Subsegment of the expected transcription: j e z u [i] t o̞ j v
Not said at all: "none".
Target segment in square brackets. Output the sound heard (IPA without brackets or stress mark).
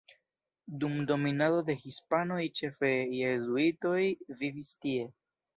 i